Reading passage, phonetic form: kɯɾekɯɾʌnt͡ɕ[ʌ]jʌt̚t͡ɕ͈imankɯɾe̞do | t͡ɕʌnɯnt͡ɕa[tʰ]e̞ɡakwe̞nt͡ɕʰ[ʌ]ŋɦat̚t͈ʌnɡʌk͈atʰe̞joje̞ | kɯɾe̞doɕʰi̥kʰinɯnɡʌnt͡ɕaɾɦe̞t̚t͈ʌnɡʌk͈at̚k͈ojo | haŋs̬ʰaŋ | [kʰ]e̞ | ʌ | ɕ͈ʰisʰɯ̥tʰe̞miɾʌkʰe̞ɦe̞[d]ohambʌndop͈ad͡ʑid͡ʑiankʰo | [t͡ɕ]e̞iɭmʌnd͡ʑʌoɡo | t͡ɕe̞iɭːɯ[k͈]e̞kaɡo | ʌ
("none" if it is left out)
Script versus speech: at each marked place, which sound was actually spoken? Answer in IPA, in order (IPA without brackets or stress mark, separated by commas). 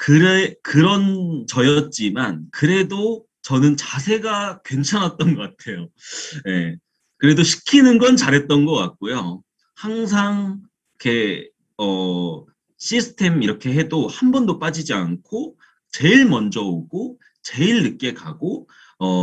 ʌ, sʰ, a, kʰ, d, t͡ɕ, k͈